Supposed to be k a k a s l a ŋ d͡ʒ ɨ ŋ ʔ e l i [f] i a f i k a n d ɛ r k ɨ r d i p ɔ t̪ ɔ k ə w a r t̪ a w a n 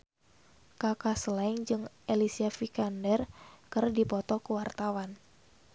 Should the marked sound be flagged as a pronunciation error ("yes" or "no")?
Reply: yes